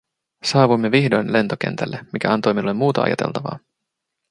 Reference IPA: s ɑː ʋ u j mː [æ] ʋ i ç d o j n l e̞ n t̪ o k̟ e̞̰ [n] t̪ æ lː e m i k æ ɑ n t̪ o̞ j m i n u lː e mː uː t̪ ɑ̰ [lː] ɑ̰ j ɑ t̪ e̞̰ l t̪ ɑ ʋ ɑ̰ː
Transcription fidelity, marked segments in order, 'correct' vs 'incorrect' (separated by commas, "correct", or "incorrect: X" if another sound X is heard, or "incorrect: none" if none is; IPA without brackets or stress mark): incorrect: e, correct, incorrect: none